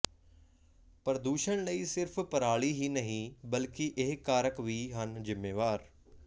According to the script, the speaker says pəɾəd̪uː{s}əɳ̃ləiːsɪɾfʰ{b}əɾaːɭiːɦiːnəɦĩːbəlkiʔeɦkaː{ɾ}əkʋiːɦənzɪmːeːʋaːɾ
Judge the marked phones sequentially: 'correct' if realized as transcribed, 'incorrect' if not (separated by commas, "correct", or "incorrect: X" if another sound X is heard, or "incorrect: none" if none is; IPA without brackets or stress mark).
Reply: incorrect: ʃ, incorrect: p, correct